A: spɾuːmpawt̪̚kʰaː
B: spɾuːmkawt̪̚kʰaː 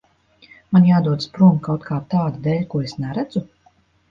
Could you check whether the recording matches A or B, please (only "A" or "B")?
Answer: B